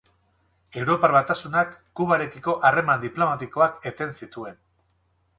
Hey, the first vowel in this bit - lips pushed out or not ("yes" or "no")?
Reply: no